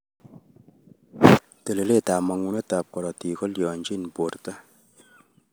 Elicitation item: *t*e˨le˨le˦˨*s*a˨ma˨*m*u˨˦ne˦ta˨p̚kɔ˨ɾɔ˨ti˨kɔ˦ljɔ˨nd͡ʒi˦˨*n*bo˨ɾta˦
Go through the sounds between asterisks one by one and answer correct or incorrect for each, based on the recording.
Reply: correct, incorrect: t, incorrect: ŋ, correct

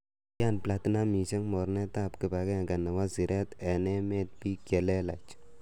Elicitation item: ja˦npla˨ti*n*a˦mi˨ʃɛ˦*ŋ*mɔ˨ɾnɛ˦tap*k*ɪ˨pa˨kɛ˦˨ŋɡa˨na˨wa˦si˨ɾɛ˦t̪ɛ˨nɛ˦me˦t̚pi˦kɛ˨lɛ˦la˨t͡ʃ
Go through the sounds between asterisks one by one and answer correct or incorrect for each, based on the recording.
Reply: correct, correct, correct

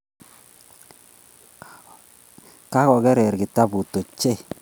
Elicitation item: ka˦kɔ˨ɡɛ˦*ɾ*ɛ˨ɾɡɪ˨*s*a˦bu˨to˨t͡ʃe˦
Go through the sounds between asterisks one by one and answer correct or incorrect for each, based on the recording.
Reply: correct, incorrect: t

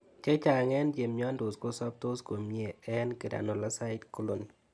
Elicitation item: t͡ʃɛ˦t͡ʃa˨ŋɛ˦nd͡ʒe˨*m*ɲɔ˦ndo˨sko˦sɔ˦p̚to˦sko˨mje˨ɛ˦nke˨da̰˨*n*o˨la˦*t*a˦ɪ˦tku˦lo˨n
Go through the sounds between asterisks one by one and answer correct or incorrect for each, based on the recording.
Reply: correct, correct, incorrect: s

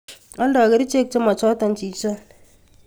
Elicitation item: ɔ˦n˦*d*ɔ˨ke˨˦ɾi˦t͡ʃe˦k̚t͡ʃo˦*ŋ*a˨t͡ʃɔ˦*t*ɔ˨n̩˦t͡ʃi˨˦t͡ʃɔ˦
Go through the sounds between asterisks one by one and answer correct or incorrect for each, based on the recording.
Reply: correct, incorrect: m, correct

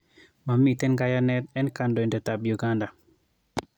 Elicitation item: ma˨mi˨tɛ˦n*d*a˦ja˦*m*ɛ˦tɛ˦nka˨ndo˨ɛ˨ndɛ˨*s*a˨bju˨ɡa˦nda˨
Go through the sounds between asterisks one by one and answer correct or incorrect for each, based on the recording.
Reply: incorrect: ɡ, incorrect: n, incorrect: t

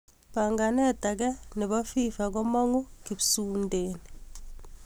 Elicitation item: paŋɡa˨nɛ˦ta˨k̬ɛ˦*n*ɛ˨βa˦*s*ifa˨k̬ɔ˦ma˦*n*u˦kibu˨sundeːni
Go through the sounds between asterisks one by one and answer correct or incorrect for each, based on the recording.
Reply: correct, incorrect: f, incorrect: ŋ

